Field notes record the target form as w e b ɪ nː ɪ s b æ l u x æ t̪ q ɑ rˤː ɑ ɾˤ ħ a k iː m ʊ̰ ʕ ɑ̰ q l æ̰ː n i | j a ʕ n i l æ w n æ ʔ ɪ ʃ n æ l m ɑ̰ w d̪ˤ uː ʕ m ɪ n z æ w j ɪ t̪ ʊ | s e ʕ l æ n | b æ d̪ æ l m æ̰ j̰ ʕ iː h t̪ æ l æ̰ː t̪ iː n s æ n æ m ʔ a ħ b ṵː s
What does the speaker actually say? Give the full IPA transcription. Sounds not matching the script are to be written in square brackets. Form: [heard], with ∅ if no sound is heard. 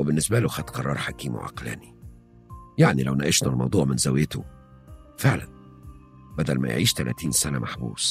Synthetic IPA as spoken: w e b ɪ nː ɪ s b æ l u x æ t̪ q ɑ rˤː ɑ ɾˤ ħ a k iː m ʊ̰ ʕ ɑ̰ q l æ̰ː n i | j a ʕ n i l æ w n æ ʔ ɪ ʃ n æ l m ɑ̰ w d̪ˤ uː ʕ m ɪ n z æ w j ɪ t̪ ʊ | [f] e ʕ l æ n | b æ d̪ æ l m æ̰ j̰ ʕ iː [ʃ] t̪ æ l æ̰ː t̪ iː n s æ n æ m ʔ a ħ b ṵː s